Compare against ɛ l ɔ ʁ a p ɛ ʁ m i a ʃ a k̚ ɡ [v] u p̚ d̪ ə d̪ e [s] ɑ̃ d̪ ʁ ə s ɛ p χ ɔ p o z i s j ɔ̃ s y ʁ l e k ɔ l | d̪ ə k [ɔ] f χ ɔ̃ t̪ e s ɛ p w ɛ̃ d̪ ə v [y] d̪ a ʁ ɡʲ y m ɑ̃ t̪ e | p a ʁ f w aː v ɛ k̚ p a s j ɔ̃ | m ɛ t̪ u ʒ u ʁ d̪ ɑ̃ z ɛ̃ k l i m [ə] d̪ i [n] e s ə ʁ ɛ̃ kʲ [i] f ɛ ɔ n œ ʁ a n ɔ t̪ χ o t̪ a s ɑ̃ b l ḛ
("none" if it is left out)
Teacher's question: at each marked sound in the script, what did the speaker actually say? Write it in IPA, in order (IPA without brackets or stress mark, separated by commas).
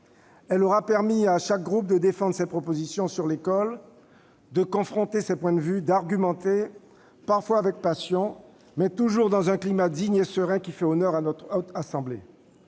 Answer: ʁ, f, ɔ̃, y, a, ɲ, i